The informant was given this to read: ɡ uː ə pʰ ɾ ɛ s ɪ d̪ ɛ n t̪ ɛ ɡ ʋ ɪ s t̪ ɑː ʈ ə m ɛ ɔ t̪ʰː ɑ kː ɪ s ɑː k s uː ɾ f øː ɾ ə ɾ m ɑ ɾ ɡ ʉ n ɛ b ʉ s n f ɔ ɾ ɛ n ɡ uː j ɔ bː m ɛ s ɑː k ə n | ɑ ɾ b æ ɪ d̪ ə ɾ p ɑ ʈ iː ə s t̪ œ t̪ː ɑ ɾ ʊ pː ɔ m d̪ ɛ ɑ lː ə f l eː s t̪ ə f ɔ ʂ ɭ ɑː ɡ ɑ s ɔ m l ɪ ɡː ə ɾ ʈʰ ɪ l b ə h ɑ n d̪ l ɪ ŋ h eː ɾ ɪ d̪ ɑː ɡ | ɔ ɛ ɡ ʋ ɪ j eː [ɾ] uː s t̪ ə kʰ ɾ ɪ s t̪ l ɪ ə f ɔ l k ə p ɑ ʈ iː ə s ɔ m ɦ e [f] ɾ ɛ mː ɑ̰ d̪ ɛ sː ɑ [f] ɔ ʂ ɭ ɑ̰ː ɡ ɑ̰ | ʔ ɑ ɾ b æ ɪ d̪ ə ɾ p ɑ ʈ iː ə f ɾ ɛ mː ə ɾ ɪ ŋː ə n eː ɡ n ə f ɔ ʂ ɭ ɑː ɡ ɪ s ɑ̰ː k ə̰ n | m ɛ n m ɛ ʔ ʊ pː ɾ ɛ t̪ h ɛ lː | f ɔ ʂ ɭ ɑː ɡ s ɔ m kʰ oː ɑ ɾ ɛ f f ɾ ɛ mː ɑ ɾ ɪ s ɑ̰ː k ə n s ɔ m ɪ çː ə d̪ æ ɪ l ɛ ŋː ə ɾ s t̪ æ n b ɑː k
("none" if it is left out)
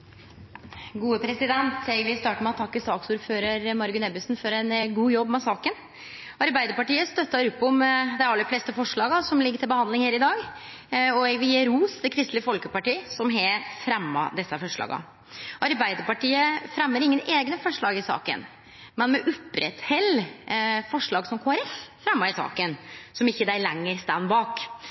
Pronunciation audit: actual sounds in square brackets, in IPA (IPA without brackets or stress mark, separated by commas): ɾ, f, f